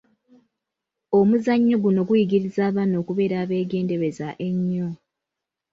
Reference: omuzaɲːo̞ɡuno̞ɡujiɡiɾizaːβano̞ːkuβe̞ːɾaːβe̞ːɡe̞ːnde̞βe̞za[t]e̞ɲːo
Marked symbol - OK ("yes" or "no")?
no